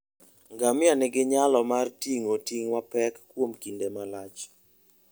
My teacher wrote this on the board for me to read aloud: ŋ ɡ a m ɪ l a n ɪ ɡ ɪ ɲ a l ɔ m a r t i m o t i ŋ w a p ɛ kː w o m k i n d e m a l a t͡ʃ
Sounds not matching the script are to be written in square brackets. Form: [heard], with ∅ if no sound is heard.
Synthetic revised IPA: ŋ ɡ a m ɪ [∅] a n ɪ ɡ ɪ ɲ a l ɔ m a r t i [ŋ] o t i ŋ w a p ɛ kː w o m k i n d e m a l a t͡ʃ